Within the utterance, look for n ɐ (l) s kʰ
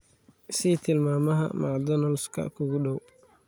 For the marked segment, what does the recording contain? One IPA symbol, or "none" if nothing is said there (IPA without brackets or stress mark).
l